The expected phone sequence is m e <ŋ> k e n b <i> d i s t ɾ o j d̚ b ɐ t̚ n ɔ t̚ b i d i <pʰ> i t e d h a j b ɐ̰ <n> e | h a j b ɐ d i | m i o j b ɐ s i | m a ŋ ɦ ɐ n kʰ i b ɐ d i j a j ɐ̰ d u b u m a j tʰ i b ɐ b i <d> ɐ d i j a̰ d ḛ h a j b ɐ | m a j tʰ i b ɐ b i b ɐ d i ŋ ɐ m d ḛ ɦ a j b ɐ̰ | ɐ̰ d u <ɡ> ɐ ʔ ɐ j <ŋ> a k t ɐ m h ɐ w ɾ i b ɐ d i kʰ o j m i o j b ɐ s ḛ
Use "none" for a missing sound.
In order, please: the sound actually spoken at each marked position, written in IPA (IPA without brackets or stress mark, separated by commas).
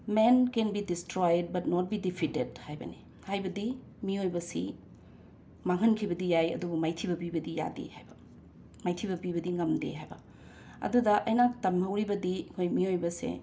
n, i, pʰ, n, b, d, n